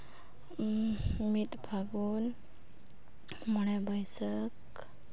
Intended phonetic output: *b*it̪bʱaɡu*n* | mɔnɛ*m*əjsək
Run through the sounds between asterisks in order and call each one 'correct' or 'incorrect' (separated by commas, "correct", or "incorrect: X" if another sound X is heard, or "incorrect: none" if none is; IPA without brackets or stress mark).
incorrect: m, correct, incorrect: b